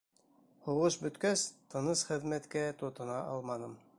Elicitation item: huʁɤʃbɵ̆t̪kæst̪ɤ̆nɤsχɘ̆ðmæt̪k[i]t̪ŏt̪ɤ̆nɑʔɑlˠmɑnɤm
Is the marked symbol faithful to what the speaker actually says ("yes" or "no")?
no